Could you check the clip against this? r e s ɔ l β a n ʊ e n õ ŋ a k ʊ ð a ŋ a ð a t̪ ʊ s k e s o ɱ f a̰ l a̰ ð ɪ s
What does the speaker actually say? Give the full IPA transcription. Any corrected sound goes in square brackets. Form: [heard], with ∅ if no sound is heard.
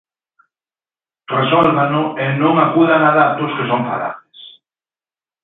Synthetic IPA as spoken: r e s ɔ l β a n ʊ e n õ ŋ a k [u] ð a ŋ a ð a t̪ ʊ s k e s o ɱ f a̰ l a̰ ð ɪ s